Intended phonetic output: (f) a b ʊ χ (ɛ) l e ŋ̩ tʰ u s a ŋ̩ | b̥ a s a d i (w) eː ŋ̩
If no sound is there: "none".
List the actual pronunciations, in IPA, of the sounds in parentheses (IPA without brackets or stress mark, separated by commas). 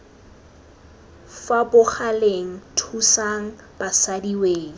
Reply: f, a, w